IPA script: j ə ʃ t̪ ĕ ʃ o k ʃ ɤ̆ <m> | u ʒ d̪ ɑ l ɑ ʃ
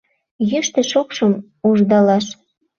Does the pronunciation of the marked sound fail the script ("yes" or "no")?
no